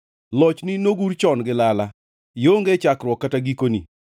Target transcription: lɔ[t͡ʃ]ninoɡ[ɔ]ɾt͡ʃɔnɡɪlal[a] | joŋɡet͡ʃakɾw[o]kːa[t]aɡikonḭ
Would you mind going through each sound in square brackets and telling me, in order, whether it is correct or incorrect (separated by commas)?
correct, incorrect, correct, incorrect, correct